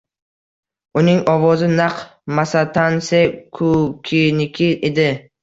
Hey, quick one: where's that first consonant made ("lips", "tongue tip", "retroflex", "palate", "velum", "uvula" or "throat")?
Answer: tongue tip